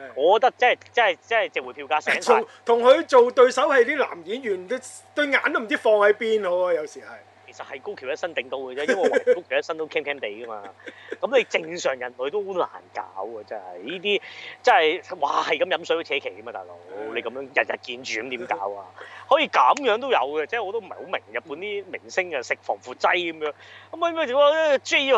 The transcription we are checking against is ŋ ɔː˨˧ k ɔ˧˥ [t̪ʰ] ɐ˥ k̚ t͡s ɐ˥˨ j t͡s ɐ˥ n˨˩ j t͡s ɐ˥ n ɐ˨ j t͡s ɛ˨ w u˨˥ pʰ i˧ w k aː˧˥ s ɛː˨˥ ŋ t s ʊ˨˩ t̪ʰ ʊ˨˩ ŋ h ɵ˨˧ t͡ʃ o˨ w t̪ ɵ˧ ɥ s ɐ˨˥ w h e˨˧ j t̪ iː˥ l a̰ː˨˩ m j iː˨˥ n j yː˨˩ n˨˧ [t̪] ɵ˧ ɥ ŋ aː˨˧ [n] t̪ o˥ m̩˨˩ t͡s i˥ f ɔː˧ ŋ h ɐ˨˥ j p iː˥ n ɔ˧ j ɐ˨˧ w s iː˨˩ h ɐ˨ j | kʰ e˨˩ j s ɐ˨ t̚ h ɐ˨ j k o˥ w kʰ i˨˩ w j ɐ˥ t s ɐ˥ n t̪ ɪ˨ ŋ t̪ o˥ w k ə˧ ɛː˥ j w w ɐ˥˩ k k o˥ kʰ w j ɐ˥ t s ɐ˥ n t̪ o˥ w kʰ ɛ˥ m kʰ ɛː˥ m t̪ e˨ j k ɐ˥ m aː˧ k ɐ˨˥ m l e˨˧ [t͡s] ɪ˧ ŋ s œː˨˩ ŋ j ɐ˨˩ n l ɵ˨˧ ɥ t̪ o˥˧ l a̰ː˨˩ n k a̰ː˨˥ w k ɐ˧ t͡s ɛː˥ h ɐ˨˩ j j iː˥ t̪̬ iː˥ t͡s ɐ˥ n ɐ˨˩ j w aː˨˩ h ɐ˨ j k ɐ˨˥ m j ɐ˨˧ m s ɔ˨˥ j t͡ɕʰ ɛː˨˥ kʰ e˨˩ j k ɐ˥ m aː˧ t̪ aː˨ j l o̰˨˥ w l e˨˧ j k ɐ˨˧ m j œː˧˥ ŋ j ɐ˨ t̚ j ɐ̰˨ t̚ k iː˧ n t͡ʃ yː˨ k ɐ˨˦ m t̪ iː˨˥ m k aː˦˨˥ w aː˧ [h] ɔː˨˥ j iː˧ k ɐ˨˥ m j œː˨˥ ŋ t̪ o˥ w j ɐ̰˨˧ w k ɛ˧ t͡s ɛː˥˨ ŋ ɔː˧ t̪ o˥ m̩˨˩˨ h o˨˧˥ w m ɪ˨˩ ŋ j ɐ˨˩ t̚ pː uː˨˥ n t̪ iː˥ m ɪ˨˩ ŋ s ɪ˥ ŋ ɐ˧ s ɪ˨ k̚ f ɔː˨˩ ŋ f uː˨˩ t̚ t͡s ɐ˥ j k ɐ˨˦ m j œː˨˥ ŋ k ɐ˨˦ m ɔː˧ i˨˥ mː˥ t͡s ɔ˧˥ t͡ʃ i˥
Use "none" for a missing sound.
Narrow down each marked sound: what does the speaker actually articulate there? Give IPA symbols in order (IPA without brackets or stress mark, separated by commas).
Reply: t̪, t̪, n, t͡s, h